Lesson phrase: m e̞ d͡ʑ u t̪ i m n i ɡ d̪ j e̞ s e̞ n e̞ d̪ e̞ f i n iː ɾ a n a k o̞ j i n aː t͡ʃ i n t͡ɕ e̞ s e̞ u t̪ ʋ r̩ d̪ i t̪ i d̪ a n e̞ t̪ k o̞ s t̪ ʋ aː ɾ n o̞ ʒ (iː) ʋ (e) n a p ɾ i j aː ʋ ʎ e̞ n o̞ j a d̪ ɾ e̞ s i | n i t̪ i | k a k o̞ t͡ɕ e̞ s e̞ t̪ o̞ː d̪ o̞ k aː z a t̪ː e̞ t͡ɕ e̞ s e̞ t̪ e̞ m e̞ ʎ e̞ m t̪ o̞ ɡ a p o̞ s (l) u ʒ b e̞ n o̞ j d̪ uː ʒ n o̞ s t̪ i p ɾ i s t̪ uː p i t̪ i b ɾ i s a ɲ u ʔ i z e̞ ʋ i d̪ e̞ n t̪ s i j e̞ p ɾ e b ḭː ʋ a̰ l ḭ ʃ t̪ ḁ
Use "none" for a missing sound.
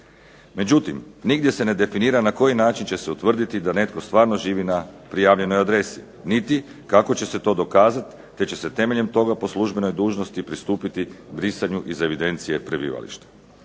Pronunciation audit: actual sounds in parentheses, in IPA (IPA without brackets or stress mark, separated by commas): iː, i, l